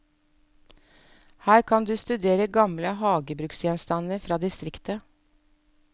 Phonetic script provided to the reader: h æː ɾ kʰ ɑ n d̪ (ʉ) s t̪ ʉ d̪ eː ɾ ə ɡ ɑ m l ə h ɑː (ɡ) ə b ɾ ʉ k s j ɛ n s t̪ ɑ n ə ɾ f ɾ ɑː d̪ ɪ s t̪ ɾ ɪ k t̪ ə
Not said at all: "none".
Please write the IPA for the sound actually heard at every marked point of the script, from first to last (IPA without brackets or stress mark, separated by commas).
ʉː, ɡ